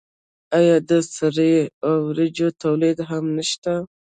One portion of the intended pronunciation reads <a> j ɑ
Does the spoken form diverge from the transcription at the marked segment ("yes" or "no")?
no